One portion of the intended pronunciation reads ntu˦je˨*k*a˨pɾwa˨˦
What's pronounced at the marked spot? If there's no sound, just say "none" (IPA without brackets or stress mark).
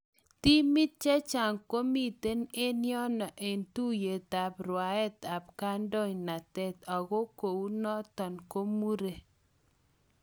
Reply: t